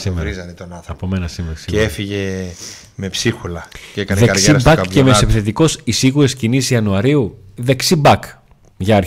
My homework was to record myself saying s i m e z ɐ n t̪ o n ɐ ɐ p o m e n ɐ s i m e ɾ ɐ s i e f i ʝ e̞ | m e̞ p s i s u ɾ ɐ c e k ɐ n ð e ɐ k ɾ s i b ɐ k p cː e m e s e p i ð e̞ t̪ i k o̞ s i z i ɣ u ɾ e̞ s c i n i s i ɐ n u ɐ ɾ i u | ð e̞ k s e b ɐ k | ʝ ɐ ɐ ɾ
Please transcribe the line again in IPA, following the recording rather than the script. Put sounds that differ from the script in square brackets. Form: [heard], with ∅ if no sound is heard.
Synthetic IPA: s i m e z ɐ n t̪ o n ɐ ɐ p o m e n ɐ s i m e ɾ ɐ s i e f i ʝ e̞ | m e̞ p s i [x] u [l] ɐ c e k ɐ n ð e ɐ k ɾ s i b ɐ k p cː e m e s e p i [θ] e̞ t̪ i k o̞ s i [s] i ɣ u ɾ e̞ s c i n i s i ɐ n u ɐ ɾ i u | ð e̞ k s [i] b ɐ k | ʝ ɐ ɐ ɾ